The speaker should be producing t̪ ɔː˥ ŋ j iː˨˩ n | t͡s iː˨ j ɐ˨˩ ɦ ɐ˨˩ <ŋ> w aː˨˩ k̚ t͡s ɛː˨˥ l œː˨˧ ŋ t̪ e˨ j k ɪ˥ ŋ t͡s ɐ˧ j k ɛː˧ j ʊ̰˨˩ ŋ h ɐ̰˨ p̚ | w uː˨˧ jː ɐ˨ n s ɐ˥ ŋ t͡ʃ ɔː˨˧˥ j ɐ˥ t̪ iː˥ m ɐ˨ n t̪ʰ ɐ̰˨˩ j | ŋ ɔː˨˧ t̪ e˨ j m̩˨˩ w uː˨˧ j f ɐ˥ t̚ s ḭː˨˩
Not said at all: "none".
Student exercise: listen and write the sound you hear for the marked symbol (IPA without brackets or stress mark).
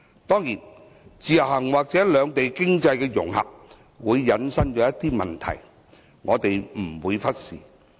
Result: ŋ